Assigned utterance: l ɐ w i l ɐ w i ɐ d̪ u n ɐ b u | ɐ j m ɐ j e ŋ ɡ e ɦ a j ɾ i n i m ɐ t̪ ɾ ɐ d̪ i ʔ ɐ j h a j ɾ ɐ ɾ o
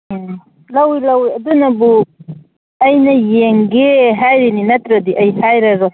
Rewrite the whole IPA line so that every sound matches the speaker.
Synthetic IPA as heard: l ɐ w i l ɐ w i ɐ d̪ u n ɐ b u | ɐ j n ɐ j e ŋ ɡ e ɦ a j ɾ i n i n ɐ t̪ ɾ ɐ d̪ i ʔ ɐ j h a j ɾ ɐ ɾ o